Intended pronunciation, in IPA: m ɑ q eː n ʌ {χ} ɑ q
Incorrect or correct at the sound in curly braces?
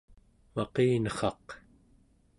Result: correct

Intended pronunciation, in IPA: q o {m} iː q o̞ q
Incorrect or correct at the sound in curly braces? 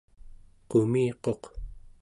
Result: correct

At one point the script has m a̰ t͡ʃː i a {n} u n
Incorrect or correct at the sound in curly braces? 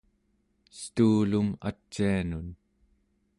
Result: correct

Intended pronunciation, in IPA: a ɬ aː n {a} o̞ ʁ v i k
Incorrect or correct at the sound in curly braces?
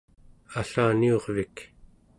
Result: incorrect: i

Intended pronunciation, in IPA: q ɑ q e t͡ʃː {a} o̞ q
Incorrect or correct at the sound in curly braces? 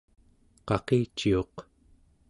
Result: incorrect: i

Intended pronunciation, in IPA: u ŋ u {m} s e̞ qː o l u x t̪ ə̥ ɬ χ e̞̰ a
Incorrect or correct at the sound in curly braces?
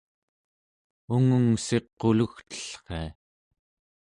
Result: incorrect: ŋ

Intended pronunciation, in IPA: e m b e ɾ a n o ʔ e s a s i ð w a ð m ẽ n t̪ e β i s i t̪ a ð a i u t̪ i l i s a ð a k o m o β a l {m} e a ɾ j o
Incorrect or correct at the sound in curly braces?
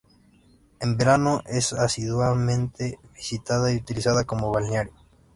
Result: incorrect: n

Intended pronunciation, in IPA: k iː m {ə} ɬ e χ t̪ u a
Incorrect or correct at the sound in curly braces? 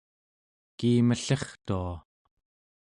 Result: correct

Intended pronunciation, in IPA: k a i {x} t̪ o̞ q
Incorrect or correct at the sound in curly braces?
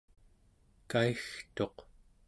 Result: correct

